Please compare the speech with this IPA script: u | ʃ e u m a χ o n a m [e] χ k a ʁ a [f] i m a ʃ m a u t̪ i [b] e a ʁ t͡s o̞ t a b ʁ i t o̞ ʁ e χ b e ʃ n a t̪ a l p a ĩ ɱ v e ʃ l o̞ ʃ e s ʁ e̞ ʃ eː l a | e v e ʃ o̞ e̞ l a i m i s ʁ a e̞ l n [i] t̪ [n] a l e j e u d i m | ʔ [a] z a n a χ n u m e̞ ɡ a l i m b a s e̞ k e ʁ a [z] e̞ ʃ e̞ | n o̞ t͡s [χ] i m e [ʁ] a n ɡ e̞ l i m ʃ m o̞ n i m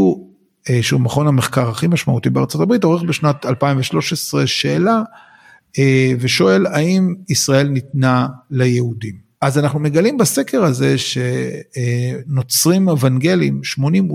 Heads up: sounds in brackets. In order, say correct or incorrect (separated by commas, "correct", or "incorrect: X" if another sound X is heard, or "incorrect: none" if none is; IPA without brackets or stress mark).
correct, incorrect: χ, correct, correct, correct, correct, correct, incorrect: ʁ, incorrect: v